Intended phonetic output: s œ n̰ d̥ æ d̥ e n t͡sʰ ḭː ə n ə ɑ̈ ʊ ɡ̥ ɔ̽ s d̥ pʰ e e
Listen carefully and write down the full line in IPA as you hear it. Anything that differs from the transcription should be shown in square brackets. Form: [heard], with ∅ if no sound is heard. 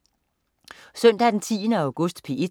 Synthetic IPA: s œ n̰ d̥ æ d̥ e n t͡sʰ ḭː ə n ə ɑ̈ ʊ ɡ̥ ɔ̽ s d̥ pʰ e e